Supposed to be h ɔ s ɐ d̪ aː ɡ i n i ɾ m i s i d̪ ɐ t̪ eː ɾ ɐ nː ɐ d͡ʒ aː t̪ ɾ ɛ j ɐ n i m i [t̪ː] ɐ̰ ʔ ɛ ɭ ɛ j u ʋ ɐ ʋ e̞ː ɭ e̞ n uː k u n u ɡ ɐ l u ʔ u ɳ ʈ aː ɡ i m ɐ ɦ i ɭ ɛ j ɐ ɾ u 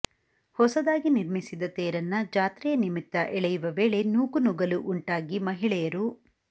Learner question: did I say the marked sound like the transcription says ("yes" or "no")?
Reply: yes